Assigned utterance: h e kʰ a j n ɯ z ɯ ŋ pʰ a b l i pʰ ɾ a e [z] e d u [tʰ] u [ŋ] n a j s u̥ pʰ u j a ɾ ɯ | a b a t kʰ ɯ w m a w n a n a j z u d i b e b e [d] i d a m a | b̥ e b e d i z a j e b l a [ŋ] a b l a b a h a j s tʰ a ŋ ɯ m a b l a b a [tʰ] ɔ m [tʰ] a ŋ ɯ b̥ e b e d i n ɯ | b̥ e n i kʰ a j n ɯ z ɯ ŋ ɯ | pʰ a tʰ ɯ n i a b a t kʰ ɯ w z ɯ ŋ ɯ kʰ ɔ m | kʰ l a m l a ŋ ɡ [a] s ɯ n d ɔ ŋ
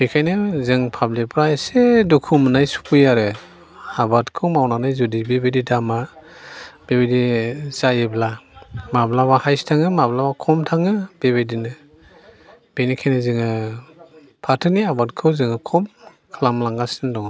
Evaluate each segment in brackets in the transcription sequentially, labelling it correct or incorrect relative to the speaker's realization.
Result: incorrect: s, incorrect: kʰ, incorrect: m, correct, incorrect: m, incorrect: kʰ, correct, correct

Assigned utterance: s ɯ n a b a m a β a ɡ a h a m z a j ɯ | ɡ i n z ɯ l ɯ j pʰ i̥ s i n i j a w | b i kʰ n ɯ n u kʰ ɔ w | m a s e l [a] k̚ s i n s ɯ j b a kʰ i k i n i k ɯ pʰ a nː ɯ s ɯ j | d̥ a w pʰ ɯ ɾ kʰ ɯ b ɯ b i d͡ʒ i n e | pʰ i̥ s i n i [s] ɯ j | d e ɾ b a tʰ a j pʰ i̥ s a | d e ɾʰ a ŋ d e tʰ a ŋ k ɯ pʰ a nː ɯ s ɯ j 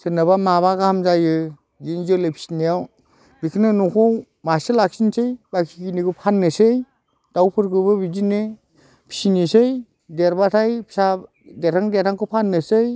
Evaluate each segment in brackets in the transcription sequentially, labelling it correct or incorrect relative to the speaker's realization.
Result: correct, correct

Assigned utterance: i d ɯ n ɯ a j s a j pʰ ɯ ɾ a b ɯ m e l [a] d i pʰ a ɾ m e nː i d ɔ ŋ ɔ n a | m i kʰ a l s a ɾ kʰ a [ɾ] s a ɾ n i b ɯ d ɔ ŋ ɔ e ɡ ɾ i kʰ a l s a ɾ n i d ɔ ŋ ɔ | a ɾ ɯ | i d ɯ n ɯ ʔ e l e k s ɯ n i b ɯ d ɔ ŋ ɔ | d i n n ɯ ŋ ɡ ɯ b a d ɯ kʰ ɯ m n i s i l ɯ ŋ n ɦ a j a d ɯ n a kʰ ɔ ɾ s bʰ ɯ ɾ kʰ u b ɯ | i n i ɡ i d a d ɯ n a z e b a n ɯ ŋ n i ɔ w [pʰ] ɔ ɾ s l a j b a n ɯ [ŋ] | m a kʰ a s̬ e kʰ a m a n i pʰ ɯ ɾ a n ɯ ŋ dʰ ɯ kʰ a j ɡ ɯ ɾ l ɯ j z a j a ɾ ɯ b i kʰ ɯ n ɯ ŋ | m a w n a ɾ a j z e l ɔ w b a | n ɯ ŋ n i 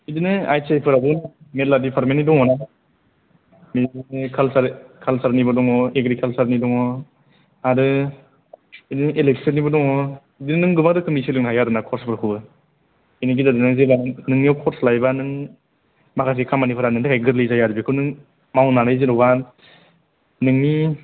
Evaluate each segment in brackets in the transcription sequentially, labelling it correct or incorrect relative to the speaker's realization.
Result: correct, incorrect: l, incorrect: kʰ, correct

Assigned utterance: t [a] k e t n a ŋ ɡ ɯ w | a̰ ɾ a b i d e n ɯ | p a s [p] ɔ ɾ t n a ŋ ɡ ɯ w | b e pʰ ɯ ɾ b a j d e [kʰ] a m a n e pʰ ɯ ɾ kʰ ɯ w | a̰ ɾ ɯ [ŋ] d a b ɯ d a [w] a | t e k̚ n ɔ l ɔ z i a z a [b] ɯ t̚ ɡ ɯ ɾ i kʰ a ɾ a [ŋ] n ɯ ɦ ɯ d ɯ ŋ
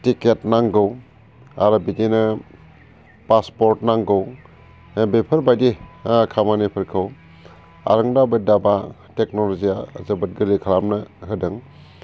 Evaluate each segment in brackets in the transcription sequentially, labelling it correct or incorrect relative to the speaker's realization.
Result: incorrect: i, correct, correct, correct, incorrect: b, correct, incorrect: m

